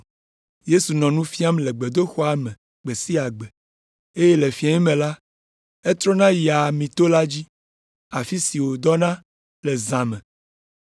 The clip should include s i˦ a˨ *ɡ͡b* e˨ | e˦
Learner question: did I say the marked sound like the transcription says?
yes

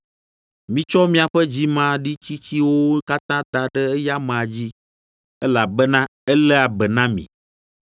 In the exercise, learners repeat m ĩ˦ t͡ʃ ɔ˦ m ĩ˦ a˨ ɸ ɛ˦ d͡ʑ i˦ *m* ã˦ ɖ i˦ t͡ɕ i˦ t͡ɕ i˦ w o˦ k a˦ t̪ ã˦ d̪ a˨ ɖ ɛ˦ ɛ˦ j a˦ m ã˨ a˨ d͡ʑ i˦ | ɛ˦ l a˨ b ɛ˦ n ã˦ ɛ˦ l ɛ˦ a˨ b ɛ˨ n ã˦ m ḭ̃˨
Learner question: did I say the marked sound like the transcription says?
yes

